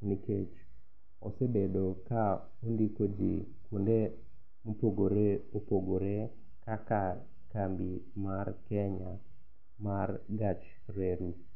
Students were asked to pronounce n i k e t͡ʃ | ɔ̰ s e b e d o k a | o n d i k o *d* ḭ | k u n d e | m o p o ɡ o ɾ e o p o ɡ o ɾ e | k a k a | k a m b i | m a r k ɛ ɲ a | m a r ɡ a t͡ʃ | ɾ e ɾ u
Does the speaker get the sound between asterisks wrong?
yes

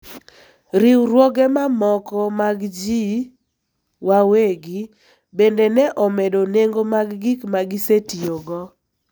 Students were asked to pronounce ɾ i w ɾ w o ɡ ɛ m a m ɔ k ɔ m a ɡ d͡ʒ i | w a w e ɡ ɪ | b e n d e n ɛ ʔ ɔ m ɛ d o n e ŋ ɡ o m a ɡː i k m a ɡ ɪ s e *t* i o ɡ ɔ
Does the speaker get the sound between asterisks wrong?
no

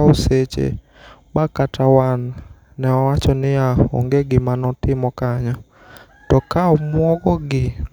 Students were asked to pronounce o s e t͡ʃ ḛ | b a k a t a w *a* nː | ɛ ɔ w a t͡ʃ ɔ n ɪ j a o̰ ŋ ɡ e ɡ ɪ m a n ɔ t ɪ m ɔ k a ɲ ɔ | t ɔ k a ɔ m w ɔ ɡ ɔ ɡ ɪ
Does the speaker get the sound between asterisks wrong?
no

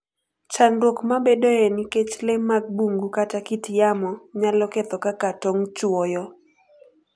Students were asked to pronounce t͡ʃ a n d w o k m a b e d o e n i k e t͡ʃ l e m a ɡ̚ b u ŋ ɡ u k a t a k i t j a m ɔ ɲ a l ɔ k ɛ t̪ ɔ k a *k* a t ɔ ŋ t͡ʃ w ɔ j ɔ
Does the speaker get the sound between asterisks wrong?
no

